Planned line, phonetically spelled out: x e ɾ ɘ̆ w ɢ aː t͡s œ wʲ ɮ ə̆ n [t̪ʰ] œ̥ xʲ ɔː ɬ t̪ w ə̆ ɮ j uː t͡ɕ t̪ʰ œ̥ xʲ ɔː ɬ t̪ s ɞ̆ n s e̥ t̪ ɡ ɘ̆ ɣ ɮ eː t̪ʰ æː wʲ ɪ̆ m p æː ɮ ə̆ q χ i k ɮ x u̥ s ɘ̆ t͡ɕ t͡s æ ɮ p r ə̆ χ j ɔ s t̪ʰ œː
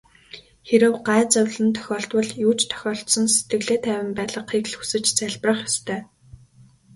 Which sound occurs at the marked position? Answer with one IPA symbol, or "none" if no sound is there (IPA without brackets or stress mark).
t̪ʰ